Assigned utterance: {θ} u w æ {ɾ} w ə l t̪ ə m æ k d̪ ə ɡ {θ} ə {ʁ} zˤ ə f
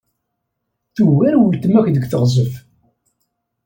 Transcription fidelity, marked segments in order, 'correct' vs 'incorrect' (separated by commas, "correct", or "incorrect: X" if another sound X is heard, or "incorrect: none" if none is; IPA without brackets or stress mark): correct, correct, correct, correct